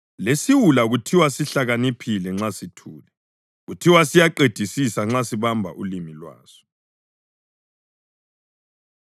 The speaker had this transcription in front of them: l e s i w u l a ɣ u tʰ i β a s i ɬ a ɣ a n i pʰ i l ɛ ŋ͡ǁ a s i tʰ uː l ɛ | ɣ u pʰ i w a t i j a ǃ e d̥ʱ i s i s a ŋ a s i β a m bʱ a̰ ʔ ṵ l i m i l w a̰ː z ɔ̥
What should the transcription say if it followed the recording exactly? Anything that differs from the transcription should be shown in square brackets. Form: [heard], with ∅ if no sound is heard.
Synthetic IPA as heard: l e s i w u l a ɣ u tʰ i [w] a s i ɬ a ɣ a n i pʰ i l ɛ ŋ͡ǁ a s i tʰ uː l ɛ | ɣ u [tʰ] i w a [s] i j a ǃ e d̥ʱ i s i s a [ŋ͡ǁ] a s i β a m bʱ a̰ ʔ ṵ l i m i l w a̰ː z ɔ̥